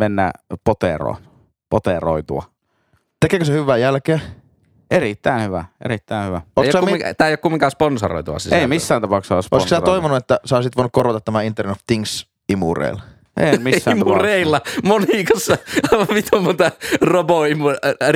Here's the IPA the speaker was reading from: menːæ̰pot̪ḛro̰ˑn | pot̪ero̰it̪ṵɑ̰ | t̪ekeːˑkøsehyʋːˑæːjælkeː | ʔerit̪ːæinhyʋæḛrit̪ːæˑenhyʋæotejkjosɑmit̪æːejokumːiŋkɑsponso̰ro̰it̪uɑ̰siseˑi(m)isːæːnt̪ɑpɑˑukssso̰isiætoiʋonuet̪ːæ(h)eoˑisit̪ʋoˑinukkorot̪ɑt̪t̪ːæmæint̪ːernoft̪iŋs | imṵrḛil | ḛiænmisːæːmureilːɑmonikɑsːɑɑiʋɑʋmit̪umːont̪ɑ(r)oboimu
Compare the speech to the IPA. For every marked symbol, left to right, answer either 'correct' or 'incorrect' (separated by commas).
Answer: correct, incorrect, correct